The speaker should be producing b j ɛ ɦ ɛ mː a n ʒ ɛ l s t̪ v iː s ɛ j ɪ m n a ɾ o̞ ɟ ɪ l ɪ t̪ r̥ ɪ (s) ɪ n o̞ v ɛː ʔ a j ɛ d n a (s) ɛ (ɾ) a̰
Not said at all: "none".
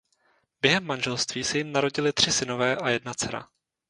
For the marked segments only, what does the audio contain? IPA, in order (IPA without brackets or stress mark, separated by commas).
s, t͡s, ɾ